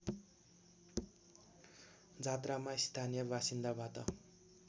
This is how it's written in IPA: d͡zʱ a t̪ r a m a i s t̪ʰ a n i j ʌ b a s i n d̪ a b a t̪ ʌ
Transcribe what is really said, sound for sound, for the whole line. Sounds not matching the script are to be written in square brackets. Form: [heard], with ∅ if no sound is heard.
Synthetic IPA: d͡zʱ a t̪ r a m a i s t̪ʰ a n i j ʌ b a s i n d̪ a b a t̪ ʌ